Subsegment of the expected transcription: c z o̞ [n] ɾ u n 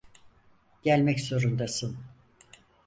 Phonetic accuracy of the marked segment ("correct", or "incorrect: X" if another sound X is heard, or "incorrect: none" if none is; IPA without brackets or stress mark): incorrect: none